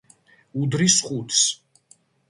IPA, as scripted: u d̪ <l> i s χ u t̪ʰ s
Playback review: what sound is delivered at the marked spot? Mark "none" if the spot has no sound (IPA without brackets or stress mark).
ɾ